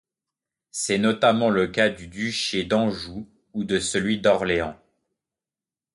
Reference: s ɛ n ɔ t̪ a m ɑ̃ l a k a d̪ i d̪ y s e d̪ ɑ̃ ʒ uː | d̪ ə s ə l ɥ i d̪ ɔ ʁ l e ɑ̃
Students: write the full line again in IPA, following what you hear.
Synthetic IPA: s ɛ n ɔ t̪ a m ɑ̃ l ə k a d̪ y d̪ y ʃ e d̪ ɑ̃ ʒ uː | d̪ ə s ə l ɥ i d̪ ɔ ʁ l e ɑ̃